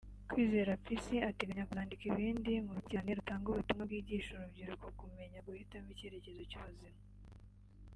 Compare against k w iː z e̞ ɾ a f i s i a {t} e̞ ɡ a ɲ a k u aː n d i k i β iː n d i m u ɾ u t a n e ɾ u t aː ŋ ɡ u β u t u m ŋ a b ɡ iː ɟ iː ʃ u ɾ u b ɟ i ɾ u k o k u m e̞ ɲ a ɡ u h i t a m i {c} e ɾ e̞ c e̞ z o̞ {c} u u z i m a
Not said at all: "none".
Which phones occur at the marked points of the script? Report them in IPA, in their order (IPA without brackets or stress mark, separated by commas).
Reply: t, c, c